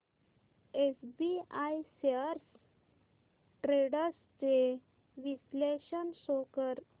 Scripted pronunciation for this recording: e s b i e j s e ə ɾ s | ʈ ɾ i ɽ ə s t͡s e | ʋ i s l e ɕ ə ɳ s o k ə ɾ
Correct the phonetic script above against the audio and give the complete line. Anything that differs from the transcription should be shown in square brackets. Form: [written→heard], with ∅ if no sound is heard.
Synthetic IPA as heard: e s b i [e→a] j s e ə ɾ s | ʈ ɾ [i→e] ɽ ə s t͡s e | ʋ i s l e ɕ ə [ɳ→n] s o k ə ɾ